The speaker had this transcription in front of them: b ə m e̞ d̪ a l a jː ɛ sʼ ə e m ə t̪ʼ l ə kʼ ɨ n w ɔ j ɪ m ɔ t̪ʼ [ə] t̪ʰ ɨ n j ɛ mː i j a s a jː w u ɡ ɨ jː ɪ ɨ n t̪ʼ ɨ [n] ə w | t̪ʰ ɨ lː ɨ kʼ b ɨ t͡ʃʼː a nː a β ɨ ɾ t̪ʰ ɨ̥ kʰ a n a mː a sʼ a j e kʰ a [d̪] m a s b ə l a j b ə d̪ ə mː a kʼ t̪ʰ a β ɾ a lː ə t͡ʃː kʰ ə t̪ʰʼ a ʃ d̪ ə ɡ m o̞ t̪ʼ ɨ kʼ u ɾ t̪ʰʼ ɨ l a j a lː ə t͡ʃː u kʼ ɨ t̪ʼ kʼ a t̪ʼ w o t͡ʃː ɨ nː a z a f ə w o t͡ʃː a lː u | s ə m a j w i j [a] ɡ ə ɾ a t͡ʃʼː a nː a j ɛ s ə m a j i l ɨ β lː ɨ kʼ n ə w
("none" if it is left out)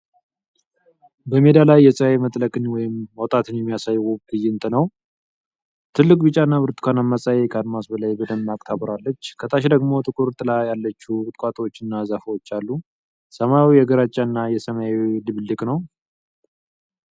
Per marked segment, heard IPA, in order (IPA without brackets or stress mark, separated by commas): a, n, d̪, ɛ